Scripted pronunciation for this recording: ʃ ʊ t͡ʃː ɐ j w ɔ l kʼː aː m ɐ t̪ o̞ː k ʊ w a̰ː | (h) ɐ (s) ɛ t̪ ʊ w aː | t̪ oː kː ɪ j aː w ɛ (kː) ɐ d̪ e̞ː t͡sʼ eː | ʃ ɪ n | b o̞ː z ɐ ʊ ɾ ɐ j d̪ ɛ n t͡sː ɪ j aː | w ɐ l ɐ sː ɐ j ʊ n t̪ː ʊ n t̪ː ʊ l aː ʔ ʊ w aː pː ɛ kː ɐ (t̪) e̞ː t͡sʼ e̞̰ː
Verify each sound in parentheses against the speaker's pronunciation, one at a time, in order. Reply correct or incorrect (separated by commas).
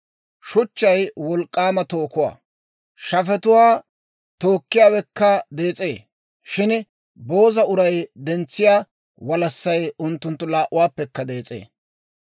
incorrect, incorrect, correct, incorrect